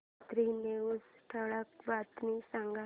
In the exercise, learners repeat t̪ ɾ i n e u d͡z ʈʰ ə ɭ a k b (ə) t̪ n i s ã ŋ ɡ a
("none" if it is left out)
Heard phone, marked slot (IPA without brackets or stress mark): a